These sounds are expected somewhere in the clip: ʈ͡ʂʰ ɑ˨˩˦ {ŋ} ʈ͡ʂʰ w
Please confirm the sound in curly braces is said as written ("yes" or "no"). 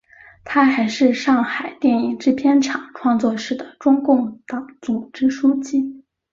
yes